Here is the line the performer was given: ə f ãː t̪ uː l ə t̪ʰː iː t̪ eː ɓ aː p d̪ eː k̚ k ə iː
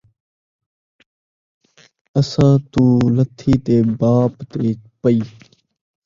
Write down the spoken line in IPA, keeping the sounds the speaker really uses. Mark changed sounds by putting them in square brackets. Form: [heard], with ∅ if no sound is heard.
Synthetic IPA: ə [s] ãː t̪ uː l ə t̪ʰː iː t̪ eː [b] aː p [t̪] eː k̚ [p] ə iː